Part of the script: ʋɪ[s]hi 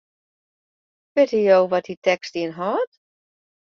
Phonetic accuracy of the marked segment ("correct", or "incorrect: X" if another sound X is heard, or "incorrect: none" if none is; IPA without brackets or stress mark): incorrect: t